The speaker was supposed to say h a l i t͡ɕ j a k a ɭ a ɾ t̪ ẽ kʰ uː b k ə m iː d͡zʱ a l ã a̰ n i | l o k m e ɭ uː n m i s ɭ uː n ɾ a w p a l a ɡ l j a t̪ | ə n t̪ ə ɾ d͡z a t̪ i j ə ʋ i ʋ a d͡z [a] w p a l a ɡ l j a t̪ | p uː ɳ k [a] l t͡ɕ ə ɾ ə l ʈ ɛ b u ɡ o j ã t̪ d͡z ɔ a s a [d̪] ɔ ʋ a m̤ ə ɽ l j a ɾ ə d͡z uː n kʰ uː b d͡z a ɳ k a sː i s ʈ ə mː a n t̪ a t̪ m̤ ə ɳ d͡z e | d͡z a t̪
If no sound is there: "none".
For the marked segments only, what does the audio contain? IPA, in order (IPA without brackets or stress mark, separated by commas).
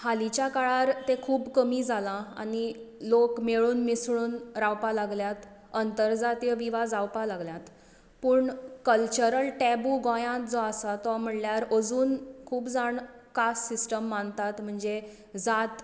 a, ə, t̪